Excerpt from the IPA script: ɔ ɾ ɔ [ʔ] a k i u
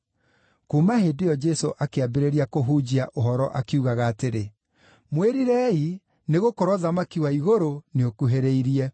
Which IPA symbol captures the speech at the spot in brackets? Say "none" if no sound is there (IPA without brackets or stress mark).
ʔ